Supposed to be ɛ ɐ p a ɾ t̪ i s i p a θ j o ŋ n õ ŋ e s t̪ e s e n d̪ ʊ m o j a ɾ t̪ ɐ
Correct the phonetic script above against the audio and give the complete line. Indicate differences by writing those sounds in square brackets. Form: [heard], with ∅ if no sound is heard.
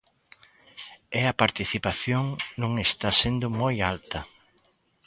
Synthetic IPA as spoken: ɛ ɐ p a ɾ t̪ i [θ] i p a θ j o ŋ n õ ŋ e s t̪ [a] s e n d̪ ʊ m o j a [l] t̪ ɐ

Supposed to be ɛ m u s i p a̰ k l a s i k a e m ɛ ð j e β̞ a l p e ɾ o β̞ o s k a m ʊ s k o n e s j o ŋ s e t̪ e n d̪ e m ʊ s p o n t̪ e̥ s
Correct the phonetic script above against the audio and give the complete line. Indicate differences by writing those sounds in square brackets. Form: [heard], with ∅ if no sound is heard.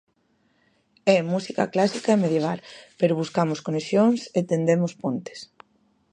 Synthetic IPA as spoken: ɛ m u s i [k] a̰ k l a s i k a e m [e] ð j e β̞ a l p e ɾ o β̞ [u] s k a m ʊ s k o n e s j o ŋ s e t̪ e n d̪ e m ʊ s p o n t̪ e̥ s

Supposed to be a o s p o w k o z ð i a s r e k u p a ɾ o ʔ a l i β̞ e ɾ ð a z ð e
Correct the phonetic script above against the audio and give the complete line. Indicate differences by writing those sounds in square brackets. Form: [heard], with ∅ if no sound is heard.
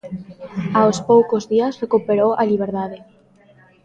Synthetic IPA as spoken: a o s p o w k o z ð i a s r e k u p [e] ɾ o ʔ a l i β̞ e ɾ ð a [∅] ð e

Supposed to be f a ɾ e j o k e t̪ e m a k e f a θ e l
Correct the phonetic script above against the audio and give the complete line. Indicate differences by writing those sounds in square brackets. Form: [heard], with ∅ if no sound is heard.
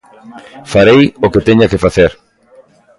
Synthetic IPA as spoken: f a ɾ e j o k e t̪ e [ɲ] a k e f a θ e [ɾ]

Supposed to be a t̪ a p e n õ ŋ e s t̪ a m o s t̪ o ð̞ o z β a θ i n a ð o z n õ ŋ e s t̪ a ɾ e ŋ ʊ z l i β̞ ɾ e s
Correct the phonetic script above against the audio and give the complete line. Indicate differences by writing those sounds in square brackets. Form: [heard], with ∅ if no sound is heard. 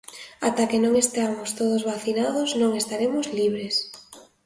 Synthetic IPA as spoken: a t̪ a [k] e n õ ŋ e s t̪ a m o s t̪ o ð̞ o z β a θ i n a ð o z n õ ŋ e s t̪ a ɾ e [m] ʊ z l i β̞ ɾ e s

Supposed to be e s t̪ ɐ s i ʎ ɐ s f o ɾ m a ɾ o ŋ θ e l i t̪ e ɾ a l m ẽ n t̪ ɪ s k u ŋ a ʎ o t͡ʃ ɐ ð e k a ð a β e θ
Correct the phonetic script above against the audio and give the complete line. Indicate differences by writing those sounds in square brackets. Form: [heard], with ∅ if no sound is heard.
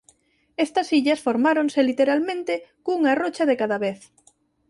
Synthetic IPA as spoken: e s t̪ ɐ s i ʎ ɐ s f o ɾ m a ɾ o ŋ [s] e l i t̪ e ɾ a l m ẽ n t̪ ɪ [∅] k u ŋ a [r] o t͡ʃ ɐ ð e k a ð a β e θ

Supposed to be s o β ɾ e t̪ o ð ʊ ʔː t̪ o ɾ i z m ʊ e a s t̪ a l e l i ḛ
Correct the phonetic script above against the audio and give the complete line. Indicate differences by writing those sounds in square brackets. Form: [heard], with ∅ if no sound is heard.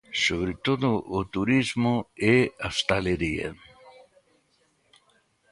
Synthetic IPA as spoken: s o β ɾ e t̪ o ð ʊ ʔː t̪ [u] ɾ i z m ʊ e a s t̪ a l e [ɾ] i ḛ

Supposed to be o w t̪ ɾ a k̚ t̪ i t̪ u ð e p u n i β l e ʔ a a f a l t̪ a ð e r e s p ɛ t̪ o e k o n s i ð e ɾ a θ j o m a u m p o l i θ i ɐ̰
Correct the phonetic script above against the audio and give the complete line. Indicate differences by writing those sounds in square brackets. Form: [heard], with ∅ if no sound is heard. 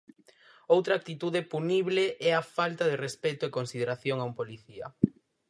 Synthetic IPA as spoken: o w t̪ ɾ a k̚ t̪ i t̪ u ð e p u n i β l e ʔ [ɛ] a f a l t̪ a ð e r e s p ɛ t̪ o e k o n s i ð e ɾ a θ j o [ŋ] a u m p o l i θ i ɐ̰

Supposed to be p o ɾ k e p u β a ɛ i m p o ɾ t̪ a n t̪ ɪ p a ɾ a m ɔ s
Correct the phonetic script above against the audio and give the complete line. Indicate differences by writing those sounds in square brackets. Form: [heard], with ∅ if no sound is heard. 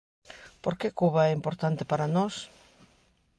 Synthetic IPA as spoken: p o ɾ k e [k] u β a ɛ i m p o ɾ t̪ a n t̪ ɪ p a ɾ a [n] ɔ s

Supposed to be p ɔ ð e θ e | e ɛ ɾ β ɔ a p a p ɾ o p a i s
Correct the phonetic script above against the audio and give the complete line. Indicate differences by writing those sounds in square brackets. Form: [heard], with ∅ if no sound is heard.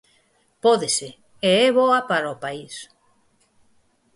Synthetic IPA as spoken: p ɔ ð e [s] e | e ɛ [∅] β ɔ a p a [∅] ɾ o p a i s

